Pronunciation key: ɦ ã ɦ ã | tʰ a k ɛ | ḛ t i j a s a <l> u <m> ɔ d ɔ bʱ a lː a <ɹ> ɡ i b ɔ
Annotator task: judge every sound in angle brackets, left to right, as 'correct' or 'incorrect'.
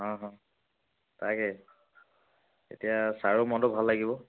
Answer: incorrect, correct, incorrect

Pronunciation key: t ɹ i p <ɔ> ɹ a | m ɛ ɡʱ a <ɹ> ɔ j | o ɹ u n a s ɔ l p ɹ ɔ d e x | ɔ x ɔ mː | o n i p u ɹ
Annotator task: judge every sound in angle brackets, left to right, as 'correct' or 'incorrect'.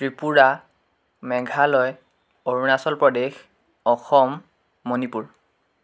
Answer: incorrect, incorrect

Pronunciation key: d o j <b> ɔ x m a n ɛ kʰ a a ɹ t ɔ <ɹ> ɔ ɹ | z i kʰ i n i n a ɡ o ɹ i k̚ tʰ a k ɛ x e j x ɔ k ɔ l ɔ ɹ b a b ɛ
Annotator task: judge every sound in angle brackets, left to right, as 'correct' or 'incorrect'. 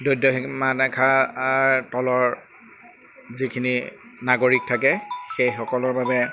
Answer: incorrect, incorrect

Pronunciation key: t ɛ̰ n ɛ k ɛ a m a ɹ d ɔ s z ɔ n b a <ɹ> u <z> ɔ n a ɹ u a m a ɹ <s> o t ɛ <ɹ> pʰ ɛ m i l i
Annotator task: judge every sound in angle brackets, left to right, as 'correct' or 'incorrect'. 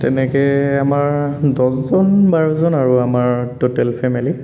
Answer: correct, correct, incorrect, incorrect

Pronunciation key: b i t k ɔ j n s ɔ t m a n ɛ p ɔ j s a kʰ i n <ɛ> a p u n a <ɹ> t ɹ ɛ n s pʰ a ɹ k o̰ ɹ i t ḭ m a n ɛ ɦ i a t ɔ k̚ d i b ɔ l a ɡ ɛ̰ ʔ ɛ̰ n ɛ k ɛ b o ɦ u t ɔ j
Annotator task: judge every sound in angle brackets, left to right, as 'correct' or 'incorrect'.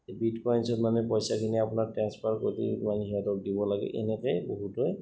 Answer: incorrect, correct

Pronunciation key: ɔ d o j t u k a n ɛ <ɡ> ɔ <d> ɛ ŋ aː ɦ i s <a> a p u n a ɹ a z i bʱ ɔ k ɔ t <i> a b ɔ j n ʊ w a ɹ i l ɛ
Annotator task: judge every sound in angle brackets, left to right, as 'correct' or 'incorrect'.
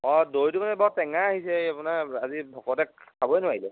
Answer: incorrect, incorrect, incorrect, incorrect

